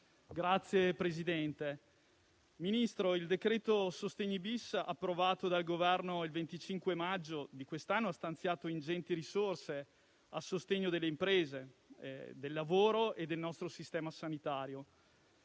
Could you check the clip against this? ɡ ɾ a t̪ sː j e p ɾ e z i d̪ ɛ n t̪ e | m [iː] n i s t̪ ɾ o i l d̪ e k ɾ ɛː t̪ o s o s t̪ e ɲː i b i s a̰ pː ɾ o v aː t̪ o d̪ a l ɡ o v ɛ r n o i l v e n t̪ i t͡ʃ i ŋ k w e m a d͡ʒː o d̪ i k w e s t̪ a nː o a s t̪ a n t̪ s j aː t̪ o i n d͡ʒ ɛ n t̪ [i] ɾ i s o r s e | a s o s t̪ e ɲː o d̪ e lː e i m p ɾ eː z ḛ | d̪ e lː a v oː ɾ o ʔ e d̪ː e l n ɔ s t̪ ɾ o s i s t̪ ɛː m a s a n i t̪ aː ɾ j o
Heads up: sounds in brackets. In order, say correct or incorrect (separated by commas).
incorrect, correct